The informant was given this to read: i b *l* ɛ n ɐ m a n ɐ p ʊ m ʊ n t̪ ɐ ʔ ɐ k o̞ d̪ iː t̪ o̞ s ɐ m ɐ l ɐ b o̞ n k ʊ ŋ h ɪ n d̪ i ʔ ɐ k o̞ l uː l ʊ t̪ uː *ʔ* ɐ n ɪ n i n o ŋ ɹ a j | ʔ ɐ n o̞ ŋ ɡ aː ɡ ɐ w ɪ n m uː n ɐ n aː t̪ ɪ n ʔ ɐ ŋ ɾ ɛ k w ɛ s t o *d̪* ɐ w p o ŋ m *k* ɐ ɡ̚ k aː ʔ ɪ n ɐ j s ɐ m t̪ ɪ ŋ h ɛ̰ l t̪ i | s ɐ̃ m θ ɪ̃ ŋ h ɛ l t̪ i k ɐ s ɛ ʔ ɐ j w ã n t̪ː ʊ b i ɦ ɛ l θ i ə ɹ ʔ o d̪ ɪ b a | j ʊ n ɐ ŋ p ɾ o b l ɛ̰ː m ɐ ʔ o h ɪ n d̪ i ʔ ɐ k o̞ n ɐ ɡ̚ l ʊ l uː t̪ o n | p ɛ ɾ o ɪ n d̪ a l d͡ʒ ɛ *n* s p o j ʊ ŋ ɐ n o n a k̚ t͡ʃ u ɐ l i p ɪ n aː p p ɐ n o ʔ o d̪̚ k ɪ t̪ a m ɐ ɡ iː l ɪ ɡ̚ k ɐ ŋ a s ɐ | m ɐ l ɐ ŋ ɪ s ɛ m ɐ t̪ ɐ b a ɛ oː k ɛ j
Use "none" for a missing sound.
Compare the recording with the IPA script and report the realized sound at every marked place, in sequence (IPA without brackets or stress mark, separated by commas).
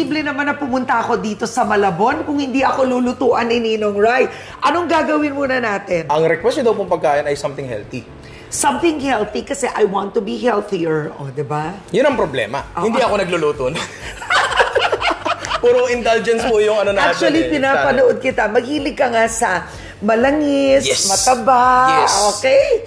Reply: l, ʔ, d̪, p, n